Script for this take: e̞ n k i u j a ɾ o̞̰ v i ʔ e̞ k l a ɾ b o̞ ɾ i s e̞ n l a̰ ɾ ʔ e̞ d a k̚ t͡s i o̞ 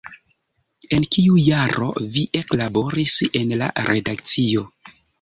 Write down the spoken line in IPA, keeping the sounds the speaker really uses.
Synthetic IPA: e̞ n k i u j a ɾ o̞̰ v i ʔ e̞ k l a b o̞ ɾ i s e̞ n l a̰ ɾ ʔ e̞ d a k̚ t͡s i o̞